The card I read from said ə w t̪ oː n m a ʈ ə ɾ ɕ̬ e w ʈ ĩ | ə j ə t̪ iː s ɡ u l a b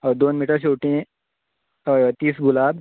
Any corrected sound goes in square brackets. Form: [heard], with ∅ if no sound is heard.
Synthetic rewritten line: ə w [d̪] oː n m [i] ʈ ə ɾ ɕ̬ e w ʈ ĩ | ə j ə t̪ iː s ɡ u l a b

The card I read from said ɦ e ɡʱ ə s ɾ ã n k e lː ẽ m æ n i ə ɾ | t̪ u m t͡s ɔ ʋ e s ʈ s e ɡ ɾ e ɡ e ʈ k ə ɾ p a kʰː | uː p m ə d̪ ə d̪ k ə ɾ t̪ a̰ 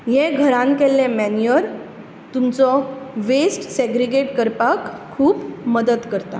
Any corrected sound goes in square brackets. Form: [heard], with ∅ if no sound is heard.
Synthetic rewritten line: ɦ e ɡʱ ə [∅] ɾ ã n k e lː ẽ m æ n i ə ɾ | t̪ u m t͡s ɔ ʋ e s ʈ s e ɡ ɾ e ɡ e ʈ k ə ɾ p a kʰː | uː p m ə d̪ ə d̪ k ə ɾ t̪ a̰

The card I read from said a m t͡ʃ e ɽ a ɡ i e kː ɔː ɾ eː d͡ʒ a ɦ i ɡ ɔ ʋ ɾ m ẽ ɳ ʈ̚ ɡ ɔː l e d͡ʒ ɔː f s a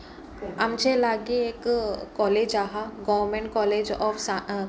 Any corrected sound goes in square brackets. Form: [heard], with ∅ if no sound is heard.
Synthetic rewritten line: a m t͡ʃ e [l] a ɡ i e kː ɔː [l] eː d͡ʒ a ɦ [a] ɡ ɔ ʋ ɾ m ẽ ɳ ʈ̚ [k] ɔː l e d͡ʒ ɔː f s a

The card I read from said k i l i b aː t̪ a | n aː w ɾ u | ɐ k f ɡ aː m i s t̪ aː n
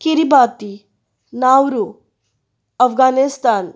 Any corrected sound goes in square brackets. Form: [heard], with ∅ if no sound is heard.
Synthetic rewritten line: k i [ɾ] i b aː t̪ [i] | n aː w ɾ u | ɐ [∅] f ɡ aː [n] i s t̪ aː n

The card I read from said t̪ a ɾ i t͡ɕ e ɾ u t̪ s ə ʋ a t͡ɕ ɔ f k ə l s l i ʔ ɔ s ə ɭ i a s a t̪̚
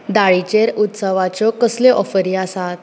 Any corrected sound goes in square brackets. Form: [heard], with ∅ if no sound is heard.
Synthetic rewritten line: [d̪] a [ɭ] i t͡ɕ e ɾ u t̪ s ə ʋ a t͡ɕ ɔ [∅] k ə [∅] s l [e] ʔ ɔ [f] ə [ɾ] i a s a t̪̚

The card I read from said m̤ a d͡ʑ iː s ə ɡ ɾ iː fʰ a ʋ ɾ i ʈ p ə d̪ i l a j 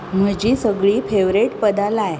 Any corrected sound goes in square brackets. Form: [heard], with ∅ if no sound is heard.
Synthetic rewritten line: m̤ [ə] d͡ʑ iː s ə ɡ [ɭ] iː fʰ [e] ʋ ɾ [e] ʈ p ə d̪ [a] l a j

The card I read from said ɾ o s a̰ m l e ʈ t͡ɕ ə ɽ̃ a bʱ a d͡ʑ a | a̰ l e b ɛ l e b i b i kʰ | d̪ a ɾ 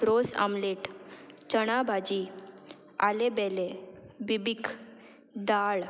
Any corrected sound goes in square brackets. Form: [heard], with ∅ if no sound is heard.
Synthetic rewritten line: ɾ o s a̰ m l e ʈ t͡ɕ ə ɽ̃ a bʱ a d͡ʑ [i] | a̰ l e b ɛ l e b i b i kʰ | d̪ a [ɭ]

